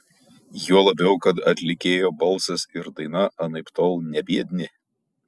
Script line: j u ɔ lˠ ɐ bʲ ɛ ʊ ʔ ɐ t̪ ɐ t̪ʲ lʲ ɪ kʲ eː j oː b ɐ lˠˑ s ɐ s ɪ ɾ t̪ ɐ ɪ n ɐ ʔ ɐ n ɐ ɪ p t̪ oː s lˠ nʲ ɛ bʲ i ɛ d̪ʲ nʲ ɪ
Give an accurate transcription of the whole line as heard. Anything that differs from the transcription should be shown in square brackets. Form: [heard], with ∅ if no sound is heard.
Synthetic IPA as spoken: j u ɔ lˠ ɐ bʲ ɛ ʊ [k] ɐ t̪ ɐ t̪ʲ lʲ ɪ kʲ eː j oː b ɐ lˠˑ s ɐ s ɪ ɾ [d̪] ɐ ɪ n ɐ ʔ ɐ n ɐ ɪ p t̪ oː [∅] lˠ nʲ ɛ bʲ i ɛ d̪ʲ nʲ ɪ